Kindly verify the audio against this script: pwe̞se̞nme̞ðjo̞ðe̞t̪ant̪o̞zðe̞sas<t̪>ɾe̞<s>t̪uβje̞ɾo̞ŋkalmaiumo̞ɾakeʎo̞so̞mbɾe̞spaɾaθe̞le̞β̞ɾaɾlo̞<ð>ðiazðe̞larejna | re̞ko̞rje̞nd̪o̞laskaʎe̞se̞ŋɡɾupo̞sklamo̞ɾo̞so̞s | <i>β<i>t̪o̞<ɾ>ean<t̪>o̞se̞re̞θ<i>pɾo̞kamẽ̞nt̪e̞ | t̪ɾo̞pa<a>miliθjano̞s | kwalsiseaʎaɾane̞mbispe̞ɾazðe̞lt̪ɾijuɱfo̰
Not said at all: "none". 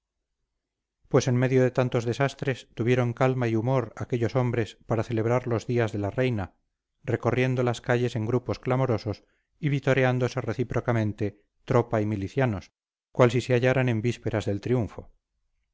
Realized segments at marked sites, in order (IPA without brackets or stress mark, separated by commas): t̪, s, z, i, i, ɾ, d̪, i, i